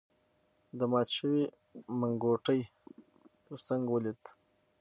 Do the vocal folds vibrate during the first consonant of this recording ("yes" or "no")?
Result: yes